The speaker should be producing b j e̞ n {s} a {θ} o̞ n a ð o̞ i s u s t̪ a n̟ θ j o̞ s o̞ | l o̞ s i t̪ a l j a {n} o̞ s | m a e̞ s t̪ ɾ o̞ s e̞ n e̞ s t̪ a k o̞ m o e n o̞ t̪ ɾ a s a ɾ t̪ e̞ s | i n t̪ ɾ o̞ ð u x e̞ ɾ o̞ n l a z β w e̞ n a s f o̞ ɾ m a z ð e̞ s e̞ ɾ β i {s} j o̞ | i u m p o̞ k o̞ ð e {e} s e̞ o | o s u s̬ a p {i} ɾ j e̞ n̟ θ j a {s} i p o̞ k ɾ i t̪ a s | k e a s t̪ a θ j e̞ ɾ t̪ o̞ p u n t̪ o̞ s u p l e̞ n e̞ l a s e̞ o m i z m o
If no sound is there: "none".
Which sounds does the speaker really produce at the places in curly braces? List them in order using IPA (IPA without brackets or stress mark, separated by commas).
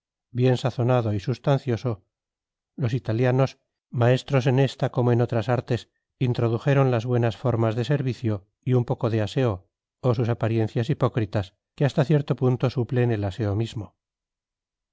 s, θ, n, θ, a, a, s